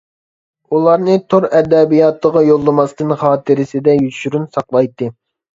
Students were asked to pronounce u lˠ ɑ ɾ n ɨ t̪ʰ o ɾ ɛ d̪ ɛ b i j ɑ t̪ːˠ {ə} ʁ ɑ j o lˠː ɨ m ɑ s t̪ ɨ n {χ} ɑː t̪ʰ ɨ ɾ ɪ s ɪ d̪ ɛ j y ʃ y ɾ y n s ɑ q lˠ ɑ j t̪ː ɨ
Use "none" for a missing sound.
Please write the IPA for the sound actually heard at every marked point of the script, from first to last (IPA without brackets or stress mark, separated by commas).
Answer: ə, χ